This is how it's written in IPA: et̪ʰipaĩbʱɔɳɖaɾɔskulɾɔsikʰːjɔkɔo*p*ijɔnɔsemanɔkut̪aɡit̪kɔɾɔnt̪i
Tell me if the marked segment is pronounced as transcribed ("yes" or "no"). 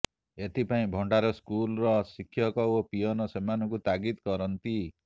yes